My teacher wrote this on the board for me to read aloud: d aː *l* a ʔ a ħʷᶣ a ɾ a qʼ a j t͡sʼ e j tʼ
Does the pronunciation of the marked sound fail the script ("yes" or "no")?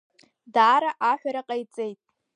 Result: yes